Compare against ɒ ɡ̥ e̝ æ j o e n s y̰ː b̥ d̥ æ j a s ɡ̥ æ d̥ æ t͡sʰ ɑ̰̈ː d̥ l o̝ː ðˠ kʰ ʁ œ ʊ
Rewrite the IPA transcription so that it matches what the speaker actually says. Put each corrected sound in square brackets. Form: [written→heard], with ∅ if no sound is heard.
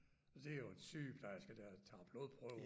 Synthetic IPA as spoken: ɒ [ɡ̥→d̥] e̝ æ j o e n s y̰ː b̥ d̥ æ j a s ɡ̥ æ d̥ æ t͡sʰ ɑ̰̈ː [d̥→b̥] l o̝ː ðˠ [kʰ→pʰ] ʁ œ ʊ